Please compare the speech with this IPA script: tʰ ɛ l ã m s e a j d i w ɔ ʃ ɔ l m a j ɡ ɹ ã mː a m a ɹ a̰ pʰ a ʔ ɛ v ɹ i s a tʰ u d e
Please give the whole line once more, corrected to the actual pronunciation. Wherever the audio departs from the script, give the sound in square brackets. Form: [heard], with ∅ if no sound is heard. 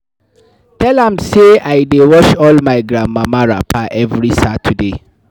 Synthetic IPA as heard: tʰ ɛ l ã m s e a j d [e] w ɔ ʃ ɔ l m a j ɡ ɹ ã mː a m a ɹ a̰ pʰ a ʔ ɛ v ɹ i s a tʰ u d e